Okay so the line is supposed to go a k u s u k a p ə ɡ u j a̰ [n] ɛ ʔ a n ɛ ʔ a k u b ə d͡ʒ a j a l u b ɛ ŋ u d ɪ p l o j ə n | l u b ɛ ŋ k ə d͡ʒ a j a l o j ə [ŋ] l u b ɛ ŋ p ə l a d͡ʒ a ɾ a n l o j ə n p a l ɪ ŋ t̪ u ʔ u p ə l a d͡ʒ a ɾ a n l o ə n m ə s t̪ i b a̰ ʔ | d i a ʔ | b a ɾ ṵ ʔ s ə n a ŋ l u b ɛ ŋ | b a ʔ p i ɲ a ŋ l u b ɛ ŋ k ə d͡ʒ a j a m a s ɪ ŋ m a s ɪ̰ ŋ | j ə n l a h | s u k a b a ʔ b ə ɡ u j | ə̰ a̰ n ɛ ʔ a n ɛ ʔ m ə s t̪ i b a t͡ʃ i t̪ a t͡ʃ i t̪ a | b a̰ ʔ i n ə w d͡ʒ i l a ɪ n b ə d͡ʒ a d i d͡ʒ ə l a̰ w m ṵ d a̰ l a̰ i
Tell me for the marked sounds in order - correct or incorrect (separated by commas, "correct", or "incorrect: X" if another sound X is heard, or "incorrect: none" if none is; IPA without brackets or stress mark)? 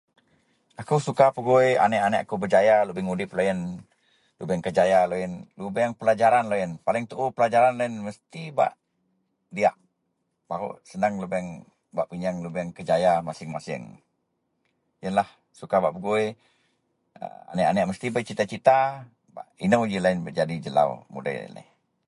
correct, incorrect: n